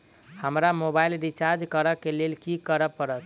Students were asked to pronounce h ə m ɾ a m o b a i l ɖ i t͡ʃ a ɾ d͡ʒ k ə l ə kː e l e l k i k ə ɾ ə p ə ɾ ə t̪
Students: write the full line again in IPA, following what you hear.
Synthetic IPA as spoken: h ə m ɾ a m o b a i l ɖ i t͡ʃ a ɾ d͡ʒ k ə ɾ ə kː e l e l k i k ə ɾ ə p ə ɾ ə t̪